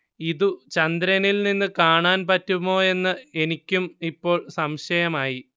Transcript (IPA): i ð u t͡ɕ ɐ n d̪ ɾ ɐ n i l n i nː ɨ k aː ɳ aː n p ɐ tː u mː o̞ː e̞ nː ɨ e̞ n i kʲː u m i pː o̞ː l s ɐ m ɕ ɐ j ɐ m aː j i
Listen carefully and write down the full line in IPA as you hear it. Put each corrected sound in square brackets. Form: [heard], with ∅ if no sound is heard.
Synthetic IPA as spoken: i ð u t͡ɕ ɐ n d̪ ɾ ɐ n i l n i nː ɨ k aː ɳ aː n p ɐ tː u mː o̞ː e̞ nː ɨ e̞ n i kʲː u m i pː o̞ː [ɭ] s ɐ m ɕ ɐ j ɐ m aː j i